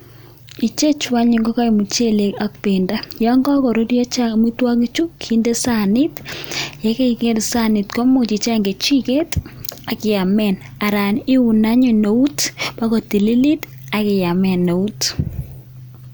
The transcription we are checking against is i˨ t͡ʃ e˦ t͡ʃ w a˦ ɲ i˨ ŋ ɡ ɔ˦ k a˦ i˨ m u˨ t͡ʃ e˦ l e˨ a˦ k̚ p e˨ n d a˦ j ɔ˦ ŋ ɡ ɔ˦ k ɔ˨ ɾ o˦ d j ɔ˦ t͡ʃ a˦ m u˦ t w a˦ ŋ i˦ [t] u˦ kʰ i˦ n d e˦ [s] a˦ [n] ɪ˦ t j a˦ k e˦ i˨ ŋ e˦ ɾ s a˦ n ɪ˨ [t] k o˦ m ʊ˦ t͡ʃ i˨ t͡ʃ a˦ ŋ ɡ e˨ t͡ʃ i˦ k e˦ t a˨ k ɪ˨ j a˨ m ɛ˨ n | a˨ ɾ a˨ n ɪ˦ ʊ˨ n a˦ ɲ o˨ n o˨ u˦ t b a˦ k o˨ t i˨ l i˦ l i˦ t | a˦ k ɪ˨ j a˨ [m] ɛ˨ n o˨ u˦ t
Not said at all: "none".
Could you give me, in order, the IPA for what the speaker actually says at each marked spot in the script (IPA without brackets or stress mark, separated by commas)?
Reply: t͡ʃ, s, n, t, m